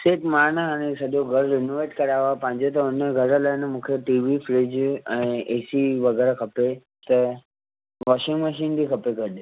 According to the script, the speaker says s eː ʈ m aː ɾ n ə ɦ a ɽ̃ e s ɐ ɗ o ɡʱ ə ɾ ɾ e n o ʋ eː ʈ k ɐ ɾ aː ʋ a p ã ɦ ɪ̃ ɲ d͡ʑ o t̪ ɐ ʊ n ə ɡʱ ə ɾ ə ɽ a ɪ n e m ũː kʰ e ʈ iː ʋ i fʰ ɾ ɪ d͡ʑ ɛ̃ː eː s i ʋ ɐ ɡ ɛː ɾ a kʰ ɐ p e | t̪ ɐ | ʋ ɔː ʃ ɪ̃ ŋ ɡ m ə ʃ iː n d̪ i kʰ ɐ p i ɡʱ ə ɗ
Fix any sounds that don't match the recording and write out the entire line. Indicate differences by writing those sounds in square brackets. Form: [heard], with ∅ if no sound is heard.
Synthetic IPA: s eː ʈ m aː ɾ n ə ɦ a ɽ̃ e s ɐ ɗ o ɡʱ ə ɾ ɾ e n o ʋ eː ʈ k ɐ ɾ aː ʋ a p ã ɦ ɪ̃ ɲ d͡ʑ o t̪ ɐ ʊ n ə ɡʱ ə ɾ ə [l] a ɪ n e m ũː kʰ e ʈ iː ʋ i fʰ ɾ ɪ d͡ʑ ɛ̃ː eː s i ʋ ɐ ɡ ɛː ɾ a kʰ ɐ p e | t̪ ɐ | ʋ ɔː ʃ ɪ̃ ŋ ɡ m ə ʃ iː n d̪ i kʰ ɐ p [e] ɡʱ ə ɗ